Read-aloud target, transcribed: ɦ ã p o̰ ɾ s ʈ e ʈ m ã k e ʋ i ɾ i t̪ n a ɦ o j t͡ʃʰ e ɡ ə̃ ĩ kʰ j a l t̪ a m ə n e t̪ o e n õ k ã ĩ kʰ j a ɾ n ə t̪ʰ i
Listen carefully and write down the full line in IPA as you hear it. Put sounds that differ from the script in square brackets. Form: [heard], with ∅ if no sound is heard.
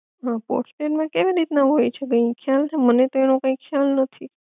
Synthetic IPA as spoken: ɦ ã p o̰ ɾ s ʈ e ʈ m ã k e ʋ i ɾ i t̪ n a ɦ o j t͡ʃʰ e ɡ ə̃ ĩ kʰ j a l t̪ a m ə n e t̪ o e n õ k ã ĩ kʰ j a [l] n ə t̪ʰ i